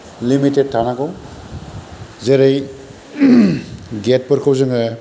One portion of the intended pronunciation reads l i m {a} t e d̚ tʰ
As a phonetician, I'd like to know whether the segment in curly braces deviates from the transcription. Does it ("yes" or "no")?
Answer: yes